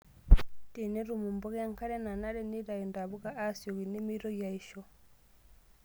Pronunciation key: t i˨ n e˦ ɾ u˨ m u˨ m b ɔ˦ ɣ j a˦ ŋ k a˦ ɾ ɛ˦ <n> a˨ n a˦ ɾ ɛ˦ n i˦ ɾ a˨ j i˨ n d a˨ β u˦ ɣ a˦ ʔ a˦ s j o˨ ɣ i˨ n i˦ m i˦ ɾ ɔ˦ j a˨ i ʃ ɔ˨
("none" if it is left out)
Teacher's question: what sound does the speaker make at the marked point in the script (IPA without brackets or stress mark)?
n